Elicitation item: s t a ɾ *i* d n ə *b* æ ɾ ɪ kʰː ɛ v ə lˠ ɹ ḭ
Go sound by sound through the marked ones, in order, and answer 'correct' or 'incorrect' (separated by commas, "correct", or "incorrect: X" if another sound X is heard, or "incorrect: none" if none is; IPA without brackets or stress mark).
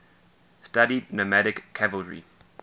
correct, incorrect: m